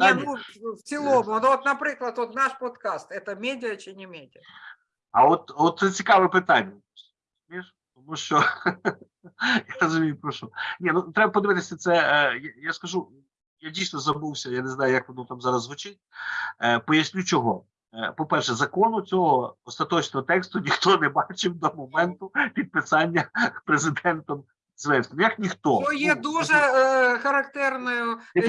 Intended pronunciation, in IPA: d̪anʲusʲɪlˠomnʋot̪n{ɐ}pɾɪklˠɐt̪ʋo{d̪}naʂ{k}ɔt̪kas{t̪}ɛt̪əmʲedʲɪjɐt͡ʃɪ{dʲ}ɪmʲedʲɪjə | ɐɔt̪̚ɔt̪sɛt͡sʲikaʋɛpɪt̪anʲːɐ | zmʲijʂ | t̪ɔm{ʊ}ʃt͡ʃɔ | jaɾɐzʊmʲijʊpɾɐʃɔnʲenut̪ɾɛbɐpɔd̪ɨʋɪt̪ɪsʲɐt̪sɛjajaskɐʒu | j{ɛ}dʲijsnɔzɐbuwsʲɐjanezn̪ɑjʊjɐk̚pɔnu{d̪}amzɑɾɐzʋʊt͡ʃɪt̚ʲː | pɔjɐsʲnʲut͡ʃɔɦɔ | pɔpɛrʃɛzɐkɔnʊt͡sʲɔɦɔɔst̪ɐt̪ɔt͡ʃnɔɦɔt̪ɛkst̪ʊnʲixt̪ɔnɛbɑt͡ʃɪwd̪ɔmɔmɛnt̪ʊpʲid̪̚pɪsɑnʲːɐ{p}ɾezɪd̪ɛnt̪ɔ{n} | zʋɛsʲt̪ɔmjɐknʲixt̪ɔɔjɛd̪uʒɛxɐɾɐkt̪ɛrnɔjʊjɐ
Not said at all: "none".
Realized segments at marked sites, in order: ɐ, t̪, p, t̪, nʲ, u, a, t̪, p, m

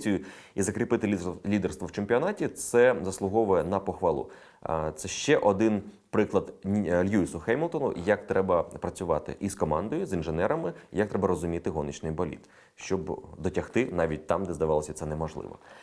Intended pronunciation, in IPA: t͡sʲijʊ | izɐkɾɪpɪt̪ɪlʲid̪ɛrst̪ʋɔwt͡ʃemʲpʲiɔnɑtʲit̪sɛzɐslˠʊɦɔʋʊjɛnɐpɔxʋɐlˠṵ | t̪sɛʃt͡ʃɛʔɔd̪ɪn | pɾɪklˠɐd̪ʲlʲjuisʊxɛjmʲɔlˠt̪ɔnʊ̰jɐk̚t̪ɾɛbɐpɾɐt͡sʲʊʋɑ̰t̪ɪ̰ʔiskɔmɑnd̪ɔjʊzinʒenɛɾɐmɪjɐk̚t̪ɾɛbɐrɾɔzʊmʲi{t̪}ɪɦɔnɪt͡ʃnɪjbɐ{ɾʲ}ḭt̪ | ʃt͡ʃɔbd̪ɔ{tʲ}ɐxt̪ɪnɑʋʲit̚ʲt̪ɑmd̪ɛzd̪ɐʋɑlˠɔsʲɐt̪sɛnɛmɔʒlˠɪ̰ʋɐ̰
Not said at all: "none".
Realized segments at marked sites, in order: t̪, lʲ, tʲ

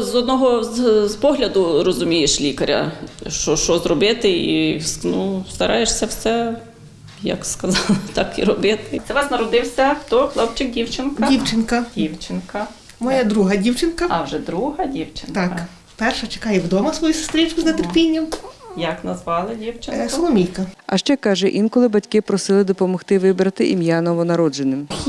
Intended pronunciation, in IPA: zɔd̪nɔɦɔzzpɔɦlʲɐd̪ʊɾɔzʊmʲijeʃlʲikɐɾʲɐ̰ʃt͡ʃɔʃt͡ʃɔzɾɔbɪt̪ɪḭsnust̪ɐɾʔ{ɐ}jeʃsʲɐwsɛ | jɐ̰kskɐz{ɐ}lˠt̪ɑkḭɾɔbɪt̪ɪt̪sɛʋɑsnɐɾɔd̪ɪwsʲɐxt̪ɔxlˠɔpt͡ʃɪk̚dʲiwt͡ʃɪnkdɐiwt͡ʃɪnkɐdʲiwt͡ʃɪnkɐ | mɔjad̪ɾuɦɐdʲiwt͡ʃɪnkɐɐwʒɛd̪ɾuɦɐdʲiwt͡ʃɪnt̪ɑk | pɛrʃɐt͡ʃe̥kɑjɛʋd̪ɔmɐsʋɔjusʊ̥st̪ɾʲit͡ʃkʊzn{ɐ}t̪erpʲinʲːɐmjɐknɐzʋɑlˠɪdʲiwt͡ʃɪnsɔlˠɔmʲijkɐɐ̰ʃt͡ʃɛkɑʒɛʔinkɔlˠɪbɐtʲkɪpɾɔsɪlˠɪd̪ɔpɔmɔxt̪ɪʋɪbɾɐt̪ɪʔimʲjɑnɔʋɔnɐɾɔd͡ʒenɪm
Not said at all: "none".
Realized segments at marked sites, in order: ɑ, ɑ, ɐ

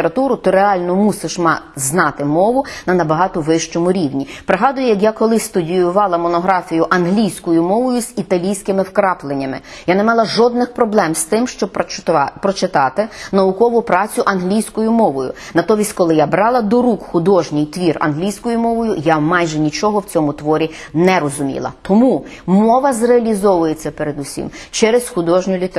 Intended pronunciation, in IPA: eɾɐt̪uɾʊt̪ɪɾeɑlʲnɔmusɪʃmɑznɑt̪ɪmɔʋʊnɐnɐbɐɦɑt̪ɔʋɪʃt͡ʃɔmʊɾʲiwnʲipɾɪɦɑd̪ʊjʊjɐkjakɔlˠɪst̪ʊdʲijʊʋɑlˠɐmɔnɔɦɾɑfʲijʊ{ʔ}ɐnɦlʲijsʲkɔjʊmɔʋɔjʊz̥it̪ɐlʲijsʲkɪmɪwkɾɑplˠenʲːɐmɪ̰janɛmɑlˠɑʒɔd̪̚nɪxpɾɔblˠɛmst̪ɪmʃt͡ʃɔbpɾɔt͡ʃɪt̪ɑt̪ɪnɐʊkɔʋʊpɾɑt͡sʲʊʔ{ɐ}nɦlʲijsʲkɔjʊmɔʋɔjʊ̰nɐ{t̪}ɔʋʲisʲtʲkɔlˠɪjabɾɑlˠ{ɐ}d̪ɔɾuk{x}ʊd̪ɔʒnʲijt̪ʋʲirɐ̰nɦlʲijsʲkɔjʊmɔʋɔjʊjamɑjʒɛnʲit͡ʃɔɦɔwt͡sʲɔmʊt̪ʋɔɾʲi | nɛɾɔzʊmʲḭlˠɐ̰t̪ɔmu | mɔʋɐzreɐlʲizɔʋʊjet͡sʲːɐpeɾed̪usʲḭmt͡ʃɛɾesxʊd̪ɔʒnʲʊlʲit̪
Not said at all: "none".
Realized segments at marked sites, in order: ʔ, ɐ, t̪, ɐ, x

